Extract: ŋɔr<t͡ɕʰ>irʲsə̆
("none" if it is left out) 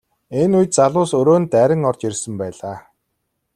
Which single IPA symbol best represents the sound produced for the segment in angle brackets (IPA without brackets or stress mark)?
t͡ɕ